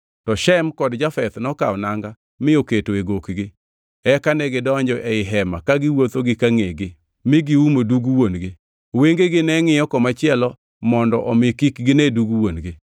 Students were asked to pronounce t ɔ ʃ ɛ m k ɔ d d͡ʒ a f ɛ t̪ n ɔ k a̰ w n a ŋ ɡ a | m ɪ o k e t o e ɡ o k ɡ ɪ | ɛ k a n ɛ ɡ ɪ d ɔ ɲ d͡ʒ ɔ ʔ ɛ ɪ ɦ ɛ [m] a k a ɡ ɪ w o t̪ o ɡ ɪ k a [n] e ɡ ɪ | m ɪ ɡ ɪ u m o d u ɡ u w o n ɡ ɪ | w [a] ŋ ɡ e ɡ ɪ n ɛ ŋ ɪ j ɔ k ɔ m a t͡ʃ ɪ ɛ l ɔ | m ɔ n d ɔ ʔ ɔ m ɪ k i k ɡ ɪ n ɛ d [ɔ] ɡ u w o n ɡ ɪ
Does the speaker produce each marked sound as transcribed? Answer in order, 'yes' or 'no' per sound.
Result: yes, no, no, no

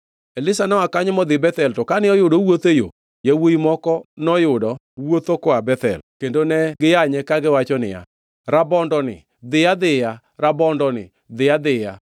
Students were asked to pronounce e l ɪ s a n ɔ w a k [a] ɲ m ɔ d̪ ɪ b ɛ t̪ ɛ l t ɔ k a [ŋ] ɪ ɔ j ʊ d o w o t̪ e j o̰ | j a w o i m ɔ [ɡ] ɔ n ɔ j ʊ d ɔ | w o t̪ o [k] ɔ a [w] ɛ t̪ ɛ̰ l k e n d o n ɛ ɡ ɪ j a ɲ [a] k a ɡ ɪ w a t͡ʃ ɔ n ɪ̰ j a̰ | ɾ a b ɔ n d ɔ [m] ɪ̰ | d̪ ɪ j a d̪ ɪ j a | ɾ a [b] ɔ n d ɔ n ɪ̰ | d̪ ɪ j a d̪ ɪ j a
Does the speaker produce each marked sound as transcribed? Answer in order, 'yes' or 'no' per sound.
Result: yes, no, no, yes, no, no, no, yes

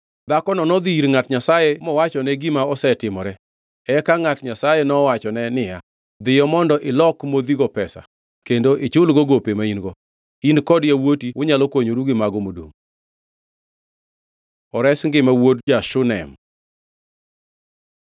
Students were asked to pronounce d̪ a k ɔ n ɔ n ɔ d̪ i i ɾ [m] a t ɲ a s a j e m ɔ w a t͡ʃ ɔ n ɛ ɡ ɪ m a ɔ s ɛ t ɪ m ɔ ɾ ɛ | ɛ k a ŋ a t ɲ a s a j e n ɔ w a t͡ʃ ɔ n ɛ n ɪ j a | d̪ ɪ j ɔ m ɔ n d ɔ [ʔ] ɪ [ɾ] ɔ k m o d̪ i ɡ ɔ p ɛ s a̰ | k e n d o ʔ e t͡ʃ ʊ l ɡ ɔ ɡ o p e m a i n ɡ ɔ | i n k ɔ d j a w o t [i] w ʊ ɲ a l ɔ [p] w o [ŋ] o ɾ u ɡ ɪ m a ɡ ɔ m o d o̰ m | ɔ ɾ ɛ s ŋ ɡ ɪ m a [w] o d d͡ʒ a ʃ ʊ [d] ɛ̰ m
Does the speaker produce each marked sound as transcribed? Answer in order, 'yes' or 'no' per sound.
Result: no, yes, no, yes, no, no, yes, no

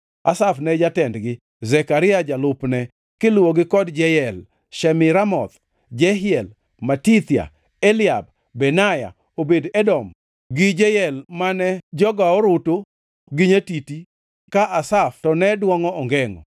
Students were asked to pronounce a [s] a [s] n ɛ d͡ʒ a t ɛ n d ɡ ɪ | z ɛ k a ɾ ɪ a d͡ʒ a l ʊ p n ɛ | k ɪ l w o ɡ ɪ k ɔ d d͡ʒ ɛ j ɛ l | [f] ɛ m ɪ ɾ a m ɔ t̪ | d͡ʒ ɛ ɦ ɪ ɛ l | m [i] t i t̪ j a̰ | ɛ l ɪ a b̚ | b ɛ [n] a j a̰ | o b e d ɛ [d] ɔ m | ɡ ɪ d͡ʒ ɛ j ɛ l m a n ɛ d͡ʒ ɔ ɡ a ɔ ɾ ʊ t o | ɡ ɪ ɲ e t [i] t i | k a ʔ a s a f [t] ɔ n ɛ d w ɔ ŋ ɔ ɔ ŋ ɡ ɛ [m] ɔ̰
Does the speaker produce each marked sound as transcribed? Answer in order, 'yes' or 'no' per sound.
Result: yes, no, no, no, yes, yes, yes, yes, no

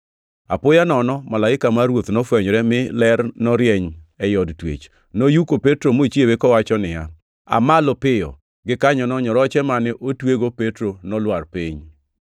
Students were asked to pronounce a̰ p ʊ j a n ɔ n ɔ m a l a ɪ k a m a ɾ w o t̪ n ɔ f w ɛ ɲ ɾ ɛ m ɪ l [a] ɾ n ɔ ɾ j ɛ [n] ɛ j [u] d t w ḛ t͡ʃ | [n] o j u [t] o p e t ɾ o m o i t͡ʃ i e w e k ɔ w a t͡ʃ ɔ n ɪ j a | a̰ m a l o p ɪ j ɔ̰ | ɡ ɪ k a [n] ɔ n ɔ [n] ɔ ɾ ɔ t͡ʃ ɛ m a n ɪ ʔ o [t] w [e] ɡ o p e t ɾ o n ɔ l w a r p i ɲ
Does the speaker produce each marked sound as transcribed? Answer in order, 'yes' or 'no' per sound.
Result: no, no, no, yes, no, no, no, yes, yes

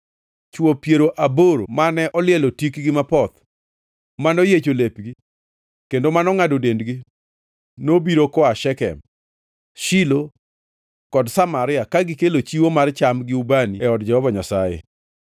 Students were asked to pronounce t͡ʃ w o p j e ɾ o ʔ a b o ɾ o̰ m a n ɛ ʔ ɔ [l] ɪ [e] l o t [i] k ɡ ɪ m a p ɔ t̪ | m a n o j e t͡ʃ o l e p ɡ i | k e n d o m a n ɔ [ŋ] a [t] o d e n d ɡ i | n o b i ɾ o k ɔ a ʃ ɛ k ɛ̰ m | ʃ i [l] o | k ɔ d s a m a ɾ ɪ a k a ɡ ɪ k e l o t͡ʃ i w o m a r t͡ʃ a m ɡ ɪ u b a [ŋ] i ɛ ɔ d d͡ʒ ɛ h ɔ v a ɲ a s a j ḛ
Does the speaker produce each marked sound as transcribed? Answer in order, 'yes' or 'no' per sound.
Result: yes, no, yes, yes, no, yes, no

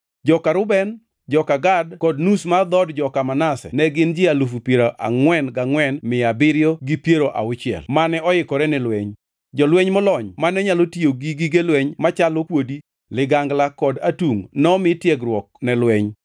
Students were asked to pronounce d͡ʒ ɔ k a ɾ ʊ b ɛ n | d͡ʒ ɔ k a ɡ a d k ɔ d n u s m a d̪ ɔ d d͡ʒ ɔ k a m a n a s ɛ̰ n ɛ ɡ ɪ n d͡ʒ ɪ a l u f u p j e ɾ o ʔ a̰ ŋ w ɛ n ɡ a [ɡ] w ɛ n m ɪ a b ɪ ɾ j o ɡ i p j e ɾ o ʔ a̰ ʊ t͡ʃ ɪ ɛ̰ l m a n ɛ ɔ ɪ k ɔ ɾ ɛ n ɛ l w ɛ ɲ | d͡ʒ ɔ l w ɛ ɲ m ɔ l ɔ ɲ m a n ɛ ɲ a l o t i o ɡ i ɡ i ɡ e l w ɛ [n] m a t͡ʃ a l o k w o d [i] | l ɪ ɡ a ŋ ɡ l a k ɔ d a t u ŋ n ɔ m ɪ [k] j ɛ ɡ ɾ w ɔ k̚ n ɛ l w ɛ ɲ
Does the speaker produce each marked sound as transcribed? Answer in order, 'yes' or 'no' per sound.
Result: no, no, yes, no

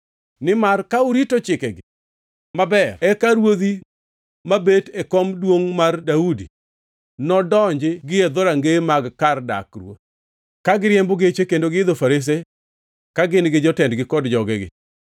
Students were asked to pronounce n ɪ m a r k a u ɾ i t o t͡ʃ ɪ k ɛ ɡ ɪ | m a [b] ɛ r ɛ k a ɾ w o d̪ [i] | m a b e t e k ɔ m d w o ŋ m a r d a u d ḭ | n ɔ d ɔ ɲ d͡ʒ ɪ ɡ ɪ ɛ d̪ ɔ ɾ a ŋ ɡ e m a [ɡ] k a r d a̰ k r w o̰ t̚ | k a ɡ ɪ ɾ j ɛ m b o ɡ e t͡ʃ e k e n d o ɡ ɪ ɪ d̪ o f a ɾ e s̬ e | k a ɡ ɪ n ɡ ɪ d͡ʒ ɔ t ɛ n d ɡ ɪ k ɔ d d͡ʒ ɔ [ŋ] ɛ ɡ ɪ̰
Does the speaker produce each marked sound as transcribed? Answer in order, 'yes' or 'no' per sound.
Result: yes, yes, yes, no

